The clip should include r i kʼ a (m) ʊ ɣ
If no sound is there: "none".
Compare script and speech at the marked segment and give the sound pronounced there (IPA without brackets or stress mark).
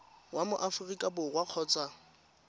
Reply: b